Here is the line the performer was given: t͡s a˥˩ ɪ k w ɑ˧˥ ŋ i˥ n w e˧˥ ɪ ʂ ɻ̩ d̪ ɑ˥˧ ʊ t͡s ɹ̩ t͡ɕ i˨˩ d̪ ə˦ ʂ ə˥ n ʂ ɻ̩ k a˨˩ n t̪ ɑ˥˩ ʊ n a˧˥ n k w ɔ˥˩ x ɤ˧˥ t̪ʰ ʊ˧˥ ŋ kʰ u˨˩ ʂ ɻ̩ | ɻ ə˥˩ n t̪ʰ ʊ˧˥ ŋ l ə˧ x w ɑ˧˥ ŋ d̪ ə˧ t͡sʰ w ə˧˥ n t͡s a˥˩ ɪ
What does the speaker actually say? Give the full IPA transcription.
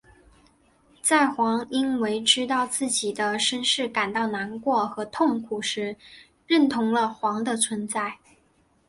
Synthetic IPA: t͡s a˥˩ ɪ x w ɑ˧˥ ŋ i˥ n w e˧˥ ɪ ʈ͡ʂ ɻ̩ t̪ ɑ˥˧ ʊ t͡s ɹ̩ t͡ɕ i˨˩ d̪ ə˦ ʂ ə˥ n ʂ ɻ̩ k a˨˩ n t̪ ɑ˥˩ ʊ n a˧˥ n k w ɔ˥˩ x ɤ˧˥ t̪ʰ ʊ˥˩ ŋ kʰ u˨˩ ʂ ɻ̩ | ɻ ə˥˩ n t̪ʰ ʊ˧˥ ŋ l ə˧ x w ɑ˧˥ ŋ d̪ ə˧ t͡sʰ w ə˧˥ n t͡s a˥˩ ɪ